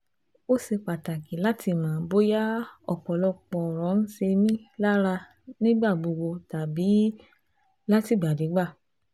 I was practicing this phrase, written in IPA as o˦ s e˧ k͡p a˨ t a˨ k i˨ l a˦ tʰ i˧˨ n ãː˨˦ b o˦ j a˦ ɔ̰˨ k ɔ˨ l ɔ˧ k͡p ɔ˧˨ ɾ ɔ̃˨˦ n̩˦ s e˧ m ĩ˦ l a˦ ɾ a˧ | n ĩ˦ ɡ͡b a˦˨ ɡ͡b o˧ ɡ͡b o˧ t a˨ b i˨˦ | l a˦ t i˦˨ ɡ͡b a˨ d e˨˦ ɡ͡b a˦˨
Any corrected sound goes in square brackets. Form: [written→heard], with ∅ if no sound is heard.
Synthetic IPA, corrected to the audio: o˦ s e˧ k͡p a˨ t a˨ k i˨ l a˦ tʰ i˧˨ [n→m] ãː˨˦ b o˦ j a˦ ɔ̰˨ [k→k͡p] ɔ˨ l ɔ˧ k͡p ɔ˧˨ ɾ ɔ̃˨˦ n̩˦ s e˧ m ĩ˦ l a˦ ɾ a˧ | n ĩ˦ ɡ͡b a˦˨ ɡ͡b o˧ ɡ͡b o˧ t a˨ b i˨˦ | l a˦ t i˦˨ ɡ͡b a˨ d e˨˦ ɡ͡b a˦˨